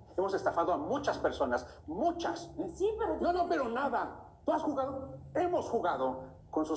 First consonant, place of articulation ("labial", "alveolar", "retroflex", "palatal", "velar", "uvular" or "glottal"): labial